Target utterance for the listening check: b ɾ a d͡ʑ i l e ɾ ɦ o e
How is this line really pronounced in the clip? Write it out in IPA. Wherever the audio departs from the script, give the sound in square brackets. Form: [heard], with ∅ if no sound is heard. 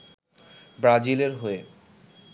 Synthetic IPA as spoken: b ɾ a d͡ʑ i l e ɾ ɦ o e